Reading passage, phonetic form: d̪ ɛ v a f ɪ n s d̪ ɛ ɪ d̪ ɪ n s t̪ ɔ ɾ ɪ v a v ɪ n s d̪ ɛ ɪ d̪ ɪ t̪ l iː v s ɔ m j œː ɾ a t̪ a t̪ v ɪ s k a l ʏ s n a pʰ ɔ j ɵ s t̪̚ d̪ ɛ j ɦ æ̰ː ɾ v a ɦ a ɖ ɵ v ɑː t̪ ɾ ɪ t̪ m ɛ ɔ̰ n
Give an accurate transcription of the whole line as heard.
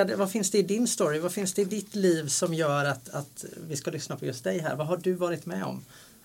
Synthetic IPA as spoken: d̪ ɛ v a f ɪ n s d̪ ɛ ɪ d̪ ɪ n s t̪ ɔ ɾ ɪ v a f ɪ n s d̪ ɛ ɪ d̪ ɪ t̪ l iː v s ɔ m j œː ɾ a t̪ a t̪ v ɪ s k a l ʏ s n a pʰ ɔ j ɵ s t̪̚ d̪ ɛ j ɦ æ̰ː ɾ v a ɦ a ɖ ɵ v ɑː ɾ ɪ t̪ m ɛ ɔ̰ m